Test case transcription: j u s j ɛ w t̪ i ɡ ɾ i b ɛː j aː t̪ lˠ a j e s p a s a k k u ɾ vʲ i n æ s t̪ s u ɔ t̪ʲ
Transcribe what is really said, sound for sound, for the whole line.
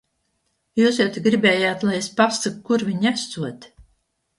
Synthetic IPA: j uː s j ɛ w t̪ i ɡ ɾ i b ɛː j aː t̪ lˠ a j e s p a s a k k u ɾ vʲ i ɲ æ s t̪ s u ɔ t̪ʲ